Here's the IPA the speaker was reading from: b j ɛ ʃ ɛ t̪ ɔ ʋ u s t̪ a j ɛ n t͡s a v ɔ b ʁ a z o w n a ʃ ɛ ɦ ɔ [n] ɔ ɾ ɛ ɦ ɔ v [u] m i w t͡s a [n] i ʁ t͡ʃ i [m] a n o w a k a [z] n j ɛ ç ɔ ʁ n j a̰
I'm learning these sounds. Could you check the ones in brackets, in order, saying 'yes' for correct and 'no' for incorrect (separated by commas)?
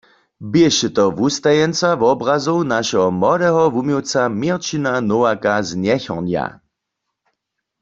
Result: no, yes, no, no, yes